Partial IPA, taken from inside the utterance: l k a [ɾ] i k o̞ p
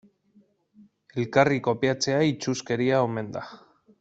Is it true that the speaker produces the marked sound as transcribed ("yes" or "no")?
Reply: no